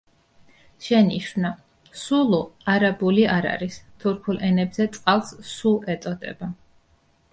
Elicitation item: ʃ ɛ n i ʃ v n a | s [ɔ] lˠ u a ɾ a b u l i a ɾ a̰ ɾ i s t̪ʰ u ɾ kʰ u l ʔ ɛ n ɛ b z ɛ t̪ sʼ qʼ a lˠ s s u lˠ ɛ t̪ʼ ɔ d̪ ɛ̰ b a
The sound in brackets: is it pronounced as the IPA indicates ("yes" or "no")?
no